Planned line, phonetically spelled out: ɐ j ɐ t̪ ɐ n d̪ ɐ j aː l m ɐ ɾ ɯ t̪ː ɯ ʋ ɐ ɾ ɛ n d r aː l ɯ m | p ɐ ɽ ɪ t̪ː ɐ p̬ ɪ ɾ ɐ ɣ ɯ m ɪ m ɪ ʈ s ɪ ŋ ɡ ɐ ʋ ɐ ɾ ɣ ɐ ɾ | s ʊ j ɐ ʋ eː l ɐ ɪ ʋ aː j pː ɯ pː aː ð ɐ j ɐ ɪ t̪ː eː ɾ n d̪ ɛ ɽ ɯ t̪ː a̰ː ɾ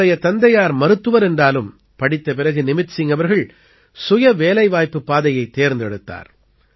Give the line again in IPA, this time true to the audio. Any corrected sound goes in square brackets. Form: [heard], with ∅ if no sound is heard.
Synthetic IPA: ɐ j ɐ t̪ ɐ n d̪ ɐ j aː [ɾ] m ɐ ɾ ɯ t̪ː ɯ ʋ ɐ ɾ ɛ n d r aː l ɯ m | p ɐ ɽ ɪ t̪ː ɐ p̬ ɪ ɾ ɐ ɣ ɯ [n] ɪ m ɪ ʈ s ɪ ŋ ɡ ɐ ʋ ɐ ɾ ɣ ɐ [ɭ] | s ʊ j ɐ ʋ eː l ɐ ɪ ʋ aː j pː ɯ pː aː ð ɐ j ɐ ɪ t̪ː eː ɾ n d̪ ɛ ɽ ɯ t̪ː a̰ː ɾ